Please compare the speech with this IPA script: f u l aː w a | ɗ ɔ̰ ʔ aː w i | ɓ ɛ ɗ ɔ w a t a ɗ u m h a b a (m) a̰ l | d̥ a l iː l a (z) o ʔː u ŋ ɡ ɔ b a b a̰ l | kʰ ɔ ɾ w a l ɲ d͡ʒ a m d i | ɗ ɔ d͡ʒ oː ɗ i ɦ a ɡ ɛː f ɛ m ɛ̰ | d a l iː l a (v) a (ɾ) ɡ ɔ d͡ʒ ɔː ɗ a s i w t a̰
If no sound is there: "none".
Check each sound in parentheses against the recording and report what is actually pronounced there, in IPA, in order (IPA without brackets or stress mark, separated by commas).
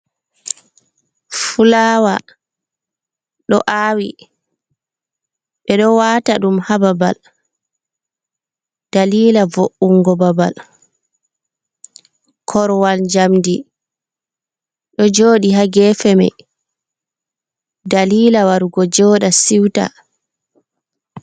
b, v, w, ɾ